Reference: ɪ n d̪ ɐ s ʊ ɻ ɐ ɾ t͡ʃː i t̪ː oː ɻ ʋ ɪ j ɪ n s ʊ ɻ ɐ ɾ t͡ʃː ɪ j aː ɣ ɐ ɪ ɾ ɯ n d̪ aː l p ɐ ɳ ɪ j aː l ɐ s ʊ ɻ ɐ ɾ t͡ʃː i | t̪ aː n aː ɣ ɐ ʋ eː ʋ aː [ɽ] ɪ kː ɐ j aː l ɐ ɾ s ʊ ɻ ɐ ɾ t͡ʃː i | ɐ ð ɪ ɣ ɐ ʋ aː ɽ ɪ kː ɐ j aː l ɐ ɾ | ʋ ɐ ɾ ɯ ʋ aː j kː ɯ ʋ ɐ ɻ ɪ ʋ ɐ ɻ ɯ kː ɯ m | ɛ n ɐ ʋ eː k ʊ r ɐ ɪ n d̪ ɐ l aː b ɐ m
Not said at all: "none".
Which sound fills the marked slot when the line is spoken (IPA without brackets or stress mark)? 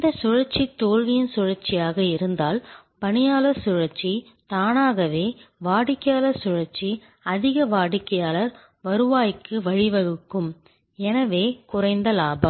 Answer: ɽ